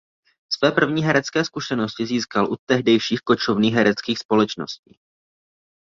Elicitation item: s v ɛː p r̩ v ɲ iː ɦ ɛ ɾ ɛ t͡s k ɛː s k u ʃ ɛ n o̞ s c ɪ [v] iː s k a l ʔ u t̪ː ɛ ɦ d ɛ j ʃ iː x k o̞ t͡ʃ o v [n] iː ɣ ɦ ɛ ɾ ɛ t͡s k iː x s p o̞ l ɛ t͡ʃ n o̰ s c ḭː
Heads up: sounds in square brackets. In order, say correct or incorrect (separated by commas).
incorrect, correct